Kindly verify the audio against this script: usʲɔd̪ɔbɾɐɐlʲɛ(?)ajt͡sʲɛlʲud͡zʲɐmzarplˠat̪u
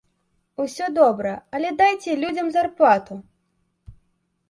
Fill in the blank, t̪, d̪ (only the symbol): d̪